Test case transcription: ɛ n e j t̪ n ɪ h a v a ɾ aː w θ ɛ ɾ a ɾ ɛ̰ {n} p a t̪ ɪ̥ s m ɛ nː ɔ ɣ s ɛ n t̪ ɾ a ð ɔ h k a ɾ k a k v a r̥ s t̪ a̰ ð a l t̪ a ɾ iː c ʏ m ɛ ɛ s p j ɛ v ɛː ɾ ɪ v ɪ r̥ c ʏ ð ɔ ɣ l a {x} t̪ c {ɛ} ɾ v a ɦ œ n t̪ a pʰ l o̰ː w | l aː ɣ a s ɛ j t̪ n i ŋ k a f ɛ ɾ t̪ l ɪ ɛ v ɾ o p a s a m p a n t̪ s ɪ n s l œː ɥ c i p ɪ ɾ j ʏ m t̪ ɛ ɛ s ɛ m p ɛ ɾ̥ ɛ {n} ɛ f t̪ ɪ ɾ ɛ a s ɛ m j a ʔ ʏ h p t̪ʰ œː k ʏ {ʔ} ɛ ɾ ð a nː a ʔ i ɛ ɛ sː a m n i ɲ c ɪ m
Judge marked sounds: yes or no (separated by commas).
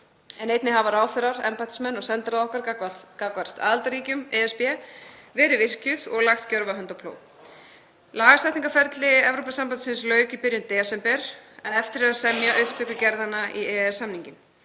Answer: no, yes, no, yes, no